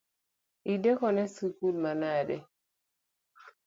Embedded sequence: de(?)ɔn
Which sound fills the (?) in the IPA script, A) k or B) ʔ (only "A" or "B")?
A